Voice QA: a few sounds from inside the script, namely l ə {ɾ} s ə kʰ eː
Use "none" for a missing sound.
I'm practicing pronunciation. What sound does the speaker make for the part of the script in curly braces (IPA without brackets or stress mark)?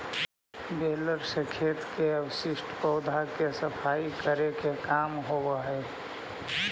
ɾ